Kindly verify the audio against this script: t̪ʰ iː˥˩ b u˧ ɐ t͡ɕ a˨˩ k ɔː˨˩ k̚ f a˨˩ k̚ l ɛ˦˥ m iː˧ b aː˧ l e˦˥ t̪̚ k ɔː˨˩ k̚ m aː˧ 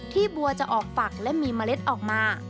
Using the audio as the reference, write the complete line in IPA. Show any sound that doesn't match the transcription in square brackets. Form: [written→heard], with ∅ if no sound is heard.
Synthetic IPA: t̪ʰ iː˥˩ b u˧ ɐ t͡ɕ a˨˩ [k→ʔ] ɔː˨˩ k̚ f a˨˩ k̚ l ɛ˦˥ m iː˧ [b→m] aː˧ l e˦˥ t̪̚ [k→ʔ] ɔː˨˩ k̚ m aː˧